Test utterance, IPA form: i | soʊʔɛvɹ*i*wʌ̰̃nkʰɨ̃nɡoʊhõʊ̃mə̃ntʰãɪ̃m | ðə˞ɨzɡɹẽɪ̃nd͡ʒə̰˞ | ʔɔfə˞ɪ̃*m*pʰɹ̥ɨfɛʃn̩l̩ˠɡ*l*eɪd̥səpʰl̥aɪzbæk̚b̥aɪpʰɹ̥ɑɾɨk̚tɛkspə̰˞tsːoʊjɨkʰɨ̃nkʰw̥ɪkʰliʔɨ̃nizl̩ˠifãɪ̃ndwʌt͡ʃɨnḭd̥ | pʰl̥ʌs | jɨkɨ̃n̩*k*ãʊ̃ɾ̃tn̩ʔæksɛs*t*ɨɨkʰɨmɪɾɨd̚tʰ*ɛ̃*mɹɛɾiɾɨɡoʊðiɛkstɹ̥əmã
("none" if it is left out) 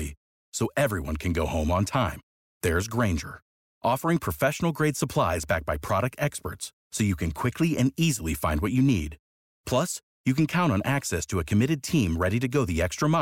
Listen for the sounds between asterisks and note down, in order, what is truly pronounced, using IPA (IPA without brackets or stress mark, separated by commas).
i, ŋ, ɹ, kʰ, tʰ, ĩ